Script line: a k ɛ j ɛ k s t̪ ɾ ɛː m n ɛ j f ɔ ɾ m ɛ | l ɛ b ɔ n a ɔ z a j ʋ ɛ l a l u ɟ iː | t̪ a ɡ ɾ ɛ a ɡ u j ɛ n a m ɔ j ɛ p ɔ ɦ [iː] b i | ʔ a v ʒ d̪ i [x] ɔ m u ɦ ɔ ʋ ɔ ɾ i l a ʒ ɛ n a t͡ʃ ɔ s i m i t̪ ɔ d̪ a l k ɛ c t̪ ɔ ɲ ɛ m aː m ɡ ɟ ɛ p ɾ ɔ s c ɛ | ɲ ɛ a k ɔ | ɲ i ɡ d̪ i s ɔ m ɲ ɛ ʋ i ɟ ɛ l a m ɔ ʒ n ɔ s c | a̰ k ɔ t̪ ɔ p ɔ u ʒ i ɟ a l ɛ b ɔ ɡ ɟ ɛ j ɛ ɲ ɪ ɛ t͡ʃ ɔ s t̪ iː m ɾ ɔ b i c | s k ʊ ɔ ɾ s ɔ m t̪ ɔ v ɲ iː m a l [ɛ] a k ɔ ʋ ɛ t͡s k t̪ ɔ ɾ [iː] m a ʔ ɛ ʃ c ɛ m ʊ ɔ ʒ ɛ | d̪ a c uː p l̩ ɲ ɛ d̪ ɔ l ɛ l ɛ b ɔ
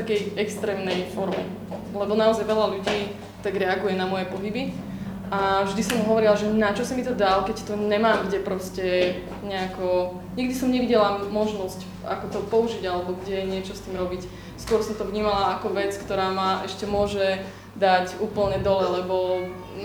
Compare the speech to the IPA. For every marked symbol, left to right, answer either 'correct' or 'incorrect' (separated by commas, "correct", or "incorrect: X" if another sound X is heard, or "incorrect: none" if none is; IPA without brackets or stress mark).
incorrect: i, incorrect: s, incorrect: a, incorrect: aː